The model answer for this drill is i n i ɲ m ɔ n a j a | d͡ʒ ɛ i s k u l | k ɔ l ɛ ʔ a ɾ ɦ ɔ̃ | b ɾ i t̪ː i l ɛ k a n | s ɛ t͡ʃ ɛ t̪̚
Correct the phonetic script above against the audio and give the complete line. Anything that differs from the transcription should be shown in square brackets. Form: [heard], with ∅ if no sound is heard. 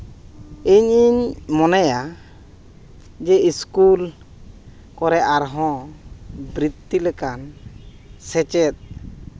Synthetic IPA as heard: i [ɲ] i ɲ m ɔ n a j a | d͡ʒ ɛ i s k u l | k ɔ [ɾ] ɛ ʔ a ɾ ɦ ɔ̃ | b ɾ i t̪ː i l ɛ k a n | s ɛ t͡ʃ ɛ t̪̚